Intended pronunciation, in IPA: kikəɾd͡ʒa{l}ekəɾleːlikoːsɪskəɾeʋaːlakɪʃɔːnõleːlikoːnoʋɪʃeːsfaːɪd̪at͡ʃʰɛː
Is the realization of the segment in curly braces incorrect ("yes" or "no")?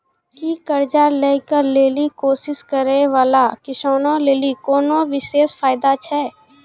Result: no